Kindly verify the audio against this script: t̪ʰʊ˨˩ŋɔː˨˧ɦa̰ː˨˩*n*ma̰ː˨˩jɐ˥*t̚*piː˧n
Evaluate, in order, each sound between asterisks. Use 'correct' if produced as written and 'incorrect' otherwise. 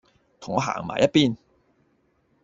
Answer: incorrect: ŋ, correct

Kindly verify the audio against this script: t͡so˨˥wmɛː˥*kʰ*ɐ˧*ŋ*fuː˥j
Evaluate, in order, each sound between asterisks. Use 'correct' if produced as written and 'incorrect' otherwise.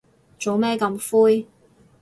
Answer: incorrect: k, incorrect: m

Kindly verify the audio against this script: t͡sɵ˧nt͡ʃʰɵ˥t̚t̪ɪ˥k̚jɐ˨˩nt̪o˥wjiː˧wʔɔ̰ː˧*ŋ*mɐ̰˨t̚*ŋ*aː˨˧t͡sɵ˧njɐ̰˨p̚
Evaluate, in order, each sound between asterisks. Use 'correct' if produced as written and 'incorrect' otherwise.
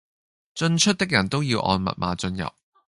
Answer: incorrect: n, incorrect: m

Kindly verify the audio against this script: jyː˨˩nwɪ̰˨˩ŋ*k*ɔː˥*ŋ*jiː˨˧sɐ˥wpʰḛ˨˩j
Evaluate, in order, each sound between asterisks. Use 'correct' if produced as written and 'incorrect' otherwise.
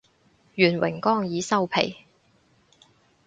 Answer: correct, correct

